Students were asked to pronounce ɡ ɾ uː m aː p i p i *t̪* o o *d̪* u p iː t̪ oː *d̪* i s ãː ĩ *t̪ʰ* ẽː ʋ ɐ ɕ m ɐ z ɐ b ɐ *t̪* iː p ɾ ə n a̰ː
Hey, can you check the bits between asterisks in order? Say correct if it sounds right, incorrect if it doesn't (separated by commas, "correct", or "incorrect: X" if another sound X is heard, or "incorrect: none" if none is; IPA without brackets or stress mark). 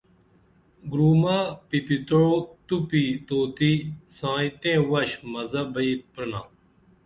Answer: correct, incorrect: t̪, incorrect: t̪, incorrect: t̪, incorrect: none